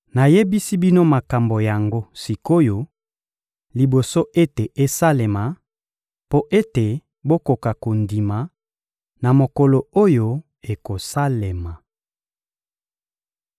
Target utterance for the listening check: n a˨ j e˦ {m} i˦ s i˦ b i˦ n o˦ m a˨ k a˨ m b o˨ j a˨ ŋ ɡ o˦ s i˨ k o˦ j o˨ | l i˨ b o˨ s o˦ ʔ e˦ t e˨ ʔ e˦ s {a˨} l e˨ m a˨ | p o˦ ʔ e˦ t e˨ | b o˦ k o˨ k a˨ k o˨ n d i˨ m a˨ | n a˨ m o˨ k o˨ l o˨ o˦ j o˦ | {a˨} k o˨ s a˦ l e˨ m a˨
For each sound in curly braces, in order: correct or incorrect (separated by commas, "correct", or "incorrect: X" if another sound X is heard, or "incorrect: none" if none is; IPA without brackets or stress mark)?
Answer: incorrect: b, incorrect: a˦, incorrect: e˨